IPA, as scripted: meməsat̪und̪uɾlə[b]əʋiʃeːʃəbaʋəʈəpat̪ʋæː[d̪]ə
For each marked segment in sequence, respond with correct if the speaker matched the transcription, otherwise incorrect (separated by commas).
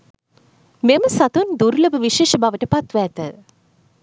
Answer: correct, incorrect